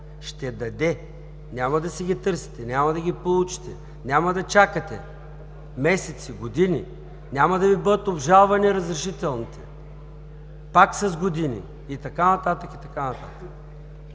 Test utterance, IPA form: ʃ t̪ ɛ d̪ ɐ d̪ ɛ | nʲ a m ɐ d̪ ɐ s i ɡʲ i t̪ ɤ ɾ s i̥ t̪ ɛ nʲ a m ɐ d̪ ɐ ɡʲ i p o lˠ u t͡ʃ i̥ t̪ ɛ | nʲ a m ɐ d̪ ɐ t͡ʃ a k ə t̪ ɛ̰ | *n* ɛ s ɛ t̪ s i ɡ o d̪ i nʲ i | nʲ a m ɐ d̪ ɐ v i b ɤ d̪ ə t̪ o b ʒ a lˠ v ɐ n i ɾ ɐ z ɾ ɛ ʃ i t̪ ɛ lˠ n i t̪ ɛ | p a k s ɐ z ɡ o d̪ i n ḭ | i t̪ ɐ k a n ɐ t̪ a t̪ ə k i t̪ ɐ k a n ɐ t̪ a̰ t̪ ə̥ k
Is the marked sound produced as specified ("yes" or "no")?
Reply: no